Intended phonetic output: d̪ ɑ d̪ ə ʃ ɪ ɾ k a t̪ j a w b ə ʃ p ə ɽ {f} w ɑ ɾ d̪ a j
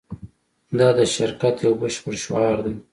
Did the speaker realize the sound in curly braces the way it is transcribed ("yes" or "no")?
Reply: no